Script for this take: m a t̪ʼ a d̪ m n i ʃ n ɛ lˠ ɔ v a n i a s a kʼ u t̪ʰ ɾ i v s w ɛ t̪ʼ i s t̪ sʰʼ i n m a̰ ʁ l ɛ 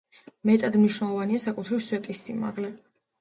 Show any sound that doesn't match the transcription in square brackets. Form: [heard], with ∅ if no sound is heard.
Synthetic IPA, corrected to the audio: m [ɛ] t̪ʼ a d̪ m n i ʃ n ɛ lˠ ɔ v a n i a s a kʼ u t̪ʰ ɾ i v s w ɛ t̪ʼ i s t̪ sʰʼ i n m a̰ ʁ l ɛ